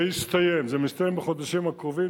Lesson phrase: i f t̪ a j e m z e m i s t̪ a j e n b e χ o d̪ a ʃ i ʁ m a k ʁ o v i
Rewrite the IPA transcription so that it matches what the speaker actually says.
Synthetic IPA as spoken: i s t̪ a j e m z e m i s t̪ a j e m b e χ o d̪ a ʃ i m a k ʁ o v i